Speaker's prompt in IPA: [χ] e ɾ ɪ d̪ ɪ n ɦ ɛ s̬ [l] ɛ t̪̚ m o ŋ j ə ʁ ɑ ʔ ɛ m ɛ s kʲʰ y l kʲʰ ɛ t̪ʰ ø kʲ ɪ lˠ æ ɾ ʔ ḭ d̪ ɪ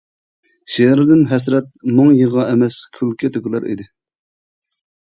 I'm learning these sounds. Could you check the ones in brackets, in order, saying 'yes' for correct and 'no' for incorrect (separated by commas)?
no, no